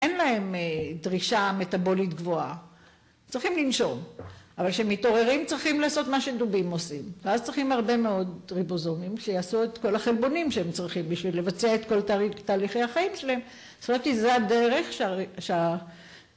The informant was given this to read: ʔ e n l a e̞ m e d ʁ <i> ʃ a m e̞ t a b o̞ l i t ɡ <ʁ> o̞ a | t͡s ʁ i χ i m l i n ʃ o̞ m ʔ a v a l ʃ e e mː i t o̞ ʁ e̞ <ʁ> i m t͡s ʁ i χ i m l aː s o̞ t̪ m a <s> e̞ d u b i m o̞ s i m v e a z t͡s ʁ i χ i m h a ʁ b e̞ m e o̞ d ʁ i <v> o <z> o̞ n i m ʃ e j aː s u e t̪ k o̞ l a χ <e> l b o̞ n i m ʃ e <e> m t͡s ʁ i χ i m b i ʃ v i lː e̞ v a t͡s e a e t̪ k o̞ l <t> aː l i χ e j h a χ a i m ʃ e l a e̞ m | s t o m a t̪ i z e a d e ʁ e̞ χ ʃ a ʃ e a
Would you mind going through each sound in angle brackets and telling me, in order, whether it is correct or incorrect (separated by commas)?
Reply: correct, incorrect, correct, incorrect, incorrect, correct, correct, correct, correct